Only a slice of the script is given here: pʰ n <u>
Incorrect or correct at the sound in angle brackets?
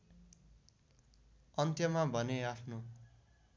incorrect: o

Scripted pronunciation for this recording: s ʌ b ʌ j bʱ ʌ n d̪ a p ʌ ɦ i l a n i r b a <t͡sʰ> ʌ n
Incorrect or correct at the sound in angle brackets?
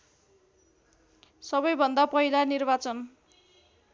incorrect: t͡s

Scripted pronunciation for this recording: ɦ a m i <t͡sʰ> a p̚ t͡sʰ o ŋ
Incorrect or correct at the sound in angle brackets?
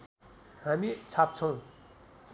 correct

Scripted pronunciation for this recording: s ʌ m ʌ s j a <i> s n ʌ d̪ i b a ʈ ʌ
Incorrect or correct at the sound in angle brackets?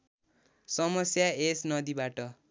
incorrect: e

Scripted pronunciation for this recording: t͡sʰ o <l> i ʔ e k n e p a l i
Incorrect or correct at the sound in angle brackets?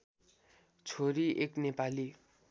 incorrect: ɾ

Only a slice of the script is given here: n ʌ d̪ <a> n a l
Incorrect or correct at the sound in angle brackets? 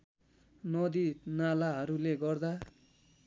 incorrect: i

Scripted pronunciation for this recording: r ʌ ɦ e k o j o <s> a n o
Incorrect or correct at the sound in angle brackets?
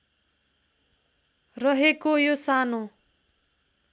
correct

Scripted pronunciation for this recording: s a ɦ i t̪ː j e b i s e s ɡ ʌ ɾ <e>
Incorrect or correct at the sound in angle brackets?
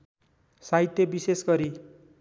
incorrect: i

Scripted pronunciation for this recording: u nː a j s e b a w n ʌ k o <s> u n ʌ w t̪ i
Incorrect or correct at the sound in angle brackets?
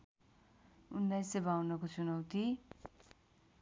incorrect: t͡s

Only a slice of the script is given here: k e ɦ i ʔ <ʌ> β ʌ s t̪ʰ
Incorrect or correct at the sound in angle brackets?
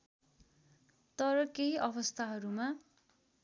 correct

